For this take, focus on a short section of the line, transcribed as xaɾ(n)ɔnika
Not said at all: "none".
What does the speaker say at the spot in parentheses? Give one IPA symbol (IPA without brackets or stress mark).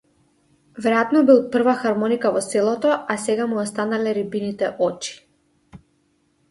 m